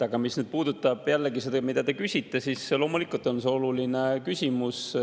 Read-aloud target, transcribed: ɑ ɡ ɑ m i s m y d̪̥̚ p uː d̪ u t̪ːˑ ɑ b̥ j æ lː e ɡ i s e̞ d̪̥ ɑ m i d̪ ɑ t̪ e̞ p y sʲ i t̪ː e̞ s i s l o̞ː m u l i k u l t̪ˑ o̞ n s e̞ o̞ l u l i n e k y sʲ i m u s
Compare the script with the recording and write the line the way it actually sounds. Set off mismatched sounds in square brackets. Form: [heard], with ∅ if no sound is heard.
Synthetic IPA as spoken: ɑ ɡ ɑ m i s [n] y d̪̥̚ p uː d̪ u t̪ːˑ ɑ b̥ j æ lː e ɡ i s e̞ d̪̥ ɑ m i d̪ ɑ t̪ e̞ [k] y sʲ i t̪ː e̞ s i s l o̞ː m u l i k u l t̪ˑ o̞ n s e̞ o̞ l u l i n e k y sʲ i m u s

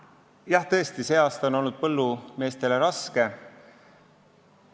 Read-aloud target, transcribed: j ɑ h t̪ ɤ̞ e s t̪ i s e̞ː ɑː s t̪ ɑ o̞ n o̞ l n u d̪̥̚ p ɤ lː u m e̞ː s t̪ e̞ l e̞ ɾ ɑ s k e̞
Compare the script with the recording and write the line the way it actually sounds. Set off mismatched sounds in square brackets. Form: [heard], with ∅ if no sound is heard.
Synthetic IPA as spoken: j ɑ h t̪ ɤ̞ e s t̪ i s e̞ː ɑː s t̪ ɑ o̞ n o̞ l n u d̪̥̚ p ɤ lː u m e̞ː s t̪ e̞ l e̞ ɾ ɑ s k e̞

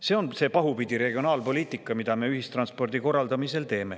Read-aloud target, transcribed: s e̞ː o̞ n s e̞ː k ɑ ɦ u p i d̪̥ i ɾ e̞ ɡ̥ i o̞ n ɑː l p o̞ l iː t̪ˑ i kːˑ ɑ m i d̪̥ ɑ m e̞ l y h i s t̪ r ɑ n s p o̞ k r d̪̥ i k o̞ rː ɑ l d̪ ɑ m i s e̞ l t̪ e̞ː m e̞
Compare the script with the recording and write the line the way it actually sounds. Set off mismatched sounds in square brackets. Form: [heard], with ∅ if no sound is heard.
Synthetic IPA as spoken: s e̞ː o̞ n s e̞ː [p] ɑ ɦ u p i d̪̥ i ɾ e̞ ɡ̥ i o̞ n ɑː l p o̞ l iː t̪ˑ i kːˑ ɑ m i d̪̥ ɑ m e̞ [∅] y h i s t̪ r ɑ n s p o̞ [∅] r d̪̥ i k o̞ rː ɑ l d̪ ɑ m i s e̞ l t̪ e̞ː m e̞

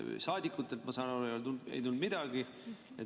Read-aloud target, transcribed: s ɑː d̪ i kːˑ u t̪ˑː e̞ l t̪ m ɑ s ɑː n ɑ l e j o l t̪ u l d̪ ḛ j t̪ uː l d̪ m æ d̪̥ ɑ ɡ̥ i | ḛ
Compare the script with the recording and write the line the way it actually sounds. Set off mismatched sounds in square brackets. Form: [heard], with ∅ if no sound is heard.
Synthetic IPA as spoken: s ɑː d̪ i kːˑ u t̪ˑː e̞ l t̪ m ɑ s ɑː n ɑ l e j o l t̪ u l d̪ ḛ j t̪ [u] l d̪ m [i] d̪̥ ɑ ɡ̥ i | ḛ

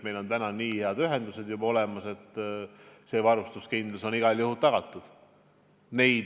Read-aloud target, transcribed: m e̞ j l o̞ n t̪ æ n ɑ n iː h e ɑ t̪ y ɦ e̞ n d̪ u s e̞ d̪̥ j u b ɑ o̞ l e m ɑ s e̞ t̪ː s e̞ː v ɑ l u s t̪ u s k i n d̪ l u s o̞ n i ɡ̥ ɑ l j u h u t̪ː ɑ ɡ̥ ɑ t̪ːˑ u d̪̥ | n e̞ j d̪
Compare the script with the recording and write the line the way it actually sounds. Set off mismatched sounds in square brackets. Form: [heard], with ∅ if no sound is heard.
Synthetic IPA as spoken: m e̞ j l o̞ n t̪ æ n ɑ n iː h e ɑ [d̪] y ɦ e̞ n d̪ u s e̞ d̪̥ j u b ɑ o̞ l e m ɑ s e̞ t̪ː s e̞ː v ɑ [ɾ] u s t̪ u s k i n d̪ l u s o̞ n i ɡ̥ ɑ l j u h u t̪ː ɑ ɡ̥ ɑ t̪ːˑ u d̪̥ | n e̞ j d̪

